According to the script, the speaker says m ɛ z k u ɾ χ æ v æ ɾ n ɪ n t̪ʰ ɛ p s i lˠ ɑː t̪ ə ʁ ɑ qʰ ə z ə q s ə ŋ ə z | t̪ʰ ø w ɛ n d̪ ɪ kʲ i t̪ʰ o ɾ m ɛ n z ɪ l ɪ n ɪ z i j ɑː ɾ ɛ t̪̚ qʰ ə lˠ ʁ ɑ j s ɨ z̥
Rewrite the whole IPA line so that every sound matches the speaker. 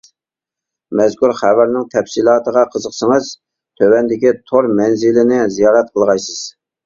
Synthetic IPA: m ɛ z k u ɾ χ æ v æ ɾ n ɪ ŋ t̪ʰ ɛ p s i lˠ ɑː t̪ ə ʁ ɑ qʰ ə z ə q s ə ŋ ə z | t̪ʰ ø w ɛ n d̪ ɪ kʲ i t̪ʰ o ɾ m ɛ n z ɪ l ɪ n ɪ z i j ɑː ɾ ɛ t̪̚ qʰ ə lˠ ʁ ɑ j s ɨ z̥